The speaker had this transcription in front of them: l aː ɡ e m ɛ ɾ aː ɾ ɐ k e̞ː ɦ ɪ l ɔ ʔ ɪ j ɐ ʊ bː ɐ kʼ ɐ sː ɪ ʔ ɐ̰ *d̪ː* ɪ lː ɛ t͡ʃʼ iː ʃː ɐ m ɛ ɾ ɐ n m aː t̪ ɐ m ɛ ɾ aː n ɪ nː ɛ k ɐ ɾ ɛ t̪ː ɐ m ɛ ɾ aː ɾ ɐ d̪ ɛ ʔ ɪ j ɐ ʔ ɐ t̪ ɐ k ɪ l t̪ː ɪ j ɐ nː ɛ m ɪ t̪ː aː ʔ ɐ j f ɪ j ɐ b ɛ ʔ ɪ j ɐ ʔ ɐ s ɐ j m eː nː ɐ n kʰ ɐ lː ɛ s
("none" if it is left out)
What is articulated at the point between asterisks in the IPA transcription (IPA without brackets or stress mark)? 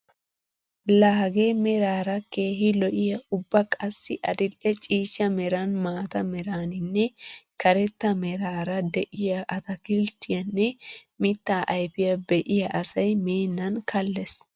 d̪